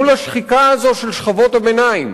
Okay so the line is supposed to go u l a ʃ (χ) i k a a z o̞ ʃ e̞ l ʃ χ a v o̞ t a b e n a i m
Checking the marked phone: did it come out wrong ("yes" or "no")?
no